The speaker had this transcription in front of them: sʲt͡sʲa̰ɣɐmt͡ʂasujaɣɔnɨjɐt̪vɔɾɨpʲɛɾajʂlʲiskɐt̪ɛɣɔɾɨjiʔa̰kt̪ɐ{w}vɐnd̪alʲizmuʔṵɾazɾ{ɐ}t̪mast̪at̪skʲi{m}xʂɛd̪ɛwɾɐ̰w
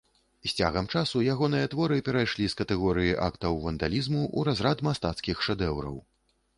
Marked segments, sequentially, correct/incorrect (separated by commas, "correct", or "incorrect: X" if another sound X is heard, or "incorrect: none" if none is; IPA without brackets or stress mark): correct, incorrect: a, incorrect: none